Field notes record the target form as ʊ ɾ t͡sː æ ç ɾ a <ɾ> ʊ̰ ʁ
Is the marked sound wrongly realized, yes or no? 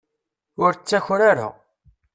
no